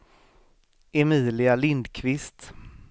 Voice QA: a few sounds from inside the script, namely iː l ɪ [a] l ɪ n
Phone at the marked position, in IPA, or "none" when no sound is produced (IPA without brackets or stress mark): a